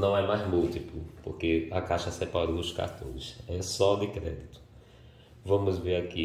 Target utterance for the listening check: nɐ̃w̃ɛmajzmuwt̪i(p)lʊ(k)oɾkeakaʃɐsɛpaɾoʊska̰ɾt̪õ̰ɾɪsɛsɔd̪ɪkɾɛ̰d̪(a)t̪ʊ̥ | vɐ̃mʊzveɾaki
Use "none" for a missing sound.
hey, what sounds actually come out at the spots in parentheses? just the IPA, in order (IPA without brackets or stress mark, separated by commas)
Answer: p, p, i